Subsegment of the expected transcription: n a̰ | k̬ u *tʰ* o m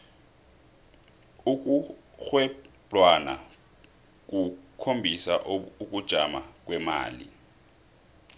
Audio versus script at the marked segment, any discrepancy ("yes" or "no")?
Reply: yes